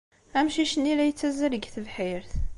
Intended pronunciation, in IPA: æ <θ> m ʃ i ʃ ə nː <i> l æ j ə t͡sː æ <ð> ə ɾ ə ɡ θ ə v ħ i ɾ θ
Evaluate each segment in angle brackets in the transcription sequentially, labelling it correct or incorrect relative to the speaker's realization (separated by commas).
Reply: incorrect, correct, incorrect